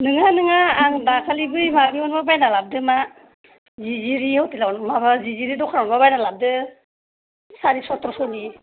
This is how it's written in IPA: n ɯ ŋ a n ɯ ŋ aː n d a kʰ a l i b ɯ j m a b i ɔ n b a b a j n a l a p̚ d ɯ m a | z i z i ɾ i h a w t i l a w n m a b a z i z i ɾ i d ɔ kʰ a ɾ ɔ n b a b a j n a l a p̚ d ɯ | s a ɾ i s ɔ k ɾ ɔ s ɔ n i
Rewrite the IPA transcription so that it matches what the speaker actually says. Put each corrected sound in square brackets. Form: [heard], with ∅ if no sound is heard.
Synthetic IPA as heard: n ɯ ŋ a n ɯ ŋ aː [ŋ] d a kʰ a l i b ɯ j m a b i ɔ n b a b a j n a l a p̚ d ɯ m a | z i z i ɾ i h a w t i l a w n m a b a z i z i ɾ i d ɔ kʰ a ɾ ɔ n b a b a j n a l a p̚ d ɯ | s a ɾ i s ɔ [t] ɾ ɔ s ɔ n i